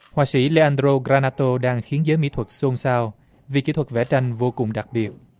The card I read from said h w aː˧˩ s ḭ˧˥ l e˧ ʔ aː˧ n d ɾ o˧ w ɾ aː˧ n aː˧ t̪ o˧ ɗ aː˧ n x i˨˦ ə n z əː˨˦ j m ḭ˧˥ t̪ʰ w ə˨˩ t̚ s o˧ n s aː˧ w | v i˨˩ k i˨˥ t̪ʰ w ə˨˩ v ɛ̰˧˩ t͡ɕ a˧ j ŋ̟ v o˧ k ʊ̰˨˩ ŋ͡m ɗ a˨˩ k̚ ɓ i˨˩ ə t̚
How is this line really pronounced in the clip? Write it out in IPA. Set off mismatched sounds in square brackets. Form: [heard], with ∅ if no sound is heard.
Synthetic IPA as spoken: h w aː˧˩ s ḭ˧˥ l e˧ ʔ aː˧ n d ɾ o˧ [ɣ] ɾ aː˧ n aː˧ t̪ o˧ ɗ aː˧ [ŋ] x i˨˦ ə n z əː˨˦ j m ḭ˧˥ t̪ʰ w ə˨˩ t̚ s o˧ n s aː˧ w | v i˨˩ k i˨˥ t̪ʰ w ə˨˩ v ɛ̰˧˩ t͡ɕ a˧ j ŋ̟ v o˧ k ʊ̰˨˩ ŋ͡m ɗ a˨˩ k̚ ɓ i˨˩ ə t̚